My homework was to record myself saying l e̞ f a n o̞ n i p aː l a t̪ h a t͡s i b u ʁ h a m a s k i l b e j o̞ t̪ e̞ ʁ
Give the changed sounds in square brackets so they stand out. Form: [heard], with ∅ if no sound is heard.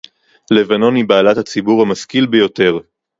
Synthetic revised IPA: l e̞ [v] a n o̞ n i [b] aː l a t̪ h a t͡s i b u ʁ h a m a s k i l b e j o̞ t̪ e̞ ʁ